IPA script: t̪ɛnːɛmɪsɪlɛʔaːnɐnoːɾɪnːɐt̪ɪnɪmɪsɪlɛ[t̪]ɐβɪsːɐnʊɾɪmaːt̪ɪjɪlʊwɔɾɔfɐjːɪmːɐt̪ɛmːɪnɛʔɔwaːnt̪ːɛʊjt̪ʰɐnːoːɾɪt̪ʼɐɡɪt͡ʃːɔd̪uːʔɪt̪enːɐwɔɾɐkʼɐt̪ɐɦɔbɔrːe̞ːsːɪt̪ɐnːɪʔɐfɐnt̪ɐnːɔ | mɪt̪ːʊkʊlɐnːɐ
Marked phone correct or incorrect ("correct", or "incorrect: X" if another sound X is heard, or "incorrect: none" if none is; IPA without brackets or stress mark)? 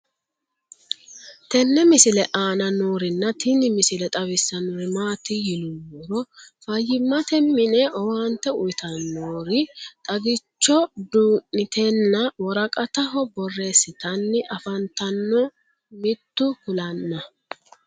incorrect: t̪ʼ